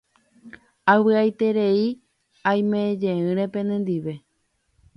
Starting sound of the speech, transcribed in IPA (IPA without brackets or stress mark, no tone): a